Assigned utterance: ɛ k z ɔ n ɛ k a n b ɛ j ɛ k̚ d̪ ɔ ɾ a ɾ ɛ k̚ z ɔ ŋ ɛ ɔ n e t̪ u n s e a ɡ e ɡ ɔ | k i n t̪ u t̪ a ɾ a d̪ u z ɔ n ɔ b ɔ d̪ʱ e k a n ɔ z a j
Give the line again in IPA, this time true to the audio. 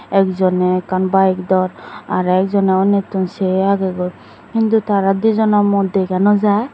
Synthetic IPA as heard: ɛ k z ɔ n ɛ k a n b a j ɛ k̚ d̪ ɔ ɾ a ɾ ɛ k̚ z ɔ n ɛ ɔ n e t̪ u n s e a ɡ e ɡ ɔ | k i n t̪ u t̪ a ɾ a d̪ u z ɔ n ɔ m ɔ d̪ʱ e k a n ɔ z a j